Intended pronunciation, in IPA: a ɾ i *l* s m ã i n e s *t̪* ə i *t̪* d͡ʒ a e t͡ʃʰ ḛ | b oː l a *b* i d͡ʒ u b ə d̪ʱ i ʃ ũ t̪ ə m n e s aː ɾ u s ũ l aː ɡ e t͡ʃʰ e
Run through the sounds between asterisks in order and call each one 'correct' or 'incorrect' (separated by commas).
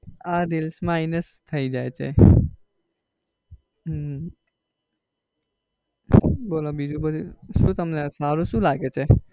correct, incorrect, incorrect, correct